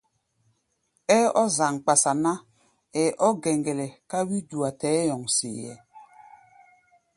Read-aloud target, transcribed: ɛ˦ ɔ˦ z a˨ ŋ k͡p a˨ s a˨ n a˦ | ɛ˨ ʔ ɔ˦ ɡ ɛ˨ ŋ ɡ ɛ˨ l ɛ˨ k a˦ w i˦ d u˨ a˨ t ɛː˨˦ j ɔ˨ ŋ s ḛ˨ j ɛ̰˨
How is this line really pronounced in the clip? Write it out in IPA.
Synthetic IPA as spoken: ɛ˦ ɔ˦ z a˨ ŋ k͡p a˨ s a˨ n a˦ | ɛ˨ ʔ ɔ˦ ɡ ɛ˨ ŋ ɡ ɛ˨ l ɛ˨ k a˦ w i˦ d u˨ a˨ t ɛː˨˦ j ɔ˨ ŋ s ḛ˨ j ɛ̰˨